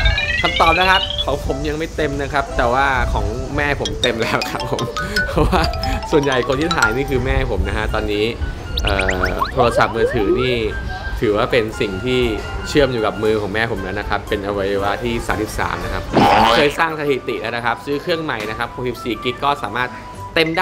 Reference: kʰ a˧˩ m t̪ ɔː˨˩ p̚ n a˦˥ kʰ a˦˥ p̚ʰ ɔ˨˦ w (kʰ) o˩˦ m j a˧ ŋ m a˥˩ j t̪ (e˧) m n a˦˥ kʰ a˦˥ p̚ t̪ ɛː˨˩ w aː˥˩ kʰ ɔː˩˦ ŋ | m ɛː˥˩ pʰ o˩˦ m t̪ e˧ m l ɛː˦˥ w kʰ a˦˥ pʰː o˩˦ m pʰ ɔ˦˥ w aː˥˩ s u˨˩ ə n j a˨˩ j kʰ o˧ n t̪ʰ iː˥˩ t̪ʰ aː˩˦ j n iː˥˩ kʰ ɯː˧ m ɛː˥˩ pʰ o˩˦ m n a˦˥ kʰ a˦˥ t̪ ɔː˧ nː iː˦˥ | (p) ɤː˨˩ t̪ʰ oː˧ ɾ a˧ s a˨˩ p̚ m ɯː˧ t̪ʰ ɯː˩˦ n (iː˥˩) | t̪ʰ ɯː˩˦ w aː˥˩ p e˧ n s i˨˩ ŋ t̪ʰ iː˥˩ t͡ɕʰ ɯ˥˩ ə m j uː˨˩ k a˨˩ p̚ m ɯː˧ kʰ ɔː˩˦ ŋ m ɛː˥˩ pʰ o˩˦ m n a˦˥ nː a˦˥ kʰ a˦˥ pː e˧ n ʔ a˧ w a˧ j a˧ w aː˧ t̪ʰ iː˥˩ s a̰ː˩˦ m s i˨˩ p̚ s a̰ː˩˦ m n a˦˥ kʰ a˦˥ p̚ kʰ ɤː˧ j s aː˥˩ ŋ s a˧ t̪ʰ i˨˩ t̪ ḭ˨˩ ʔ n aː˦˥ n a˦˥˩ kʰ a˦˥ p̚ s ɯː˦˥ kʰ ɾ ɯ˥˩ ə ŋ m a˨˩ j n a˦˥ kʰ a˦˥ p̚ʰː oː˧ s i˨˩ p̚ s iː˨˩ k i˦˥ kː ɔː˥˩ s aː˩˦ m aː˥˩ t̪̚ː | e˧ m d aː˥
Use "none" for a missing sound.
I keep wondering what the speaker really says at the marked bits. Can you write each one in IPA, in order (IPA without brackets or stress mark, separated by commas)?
pʰ, e˧, ʔ, iː˥˩